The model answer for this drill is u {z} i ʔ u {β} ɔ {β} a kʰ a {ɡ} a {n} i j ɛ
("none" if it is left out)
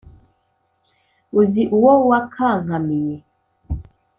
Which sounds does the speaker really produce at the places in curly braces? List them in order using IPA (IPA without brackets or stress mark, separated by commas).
z, w, w, ŋ, m